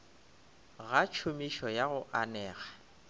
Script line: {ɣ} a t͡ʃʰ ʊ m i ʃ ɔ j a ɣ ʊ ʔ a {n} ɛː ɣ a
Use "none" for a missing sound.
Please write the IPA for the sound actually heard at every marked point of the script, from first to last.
ɣ, n

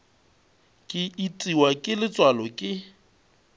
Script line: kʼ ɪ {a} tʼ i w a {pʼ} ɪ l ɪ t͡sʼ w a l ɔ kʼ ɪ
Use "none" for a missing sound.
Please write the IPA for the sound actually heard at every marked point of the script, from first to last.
i, kʼ

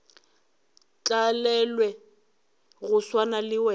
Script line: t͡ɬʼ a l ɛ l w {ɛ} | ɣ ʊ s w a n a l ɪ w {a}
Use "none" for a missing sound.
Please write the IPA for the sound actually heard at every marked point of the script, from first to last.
ɛ, ɛ

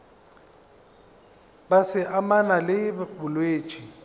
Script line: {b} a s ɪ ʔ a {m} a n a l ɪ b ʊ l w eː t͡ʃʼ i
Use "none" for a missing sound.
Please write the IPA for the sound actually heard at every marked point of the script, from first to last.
b, m

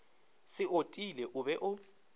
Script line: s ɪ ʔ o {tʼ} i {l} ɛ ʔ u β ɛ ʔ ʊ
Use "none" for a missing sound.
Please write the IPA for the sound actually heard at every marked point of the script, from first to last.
tʼ, l

